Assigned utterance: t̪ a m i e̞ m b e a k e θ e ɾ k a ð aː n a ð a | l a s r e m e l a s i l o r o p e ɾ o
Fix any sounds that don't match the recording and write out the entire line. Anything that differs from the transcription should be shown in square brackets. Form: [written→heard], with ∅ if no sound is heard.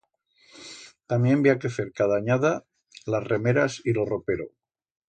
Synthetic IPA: t̪ a m [i→j] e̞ m b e a k e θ e ɾ k a ð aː [n→ɲ] a ð a | l a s r e m e [l→ɾ] a s i l o r o p e ɾ o